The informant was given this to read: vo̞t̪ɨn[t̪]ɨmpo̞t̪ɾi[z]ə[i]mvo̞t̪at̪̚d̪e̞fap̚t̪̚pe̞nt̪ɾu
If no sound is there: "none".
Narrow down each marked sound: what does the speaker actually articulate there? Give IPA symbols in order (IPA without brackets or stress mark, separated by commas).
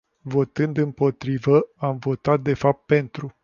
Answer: d̪, v, a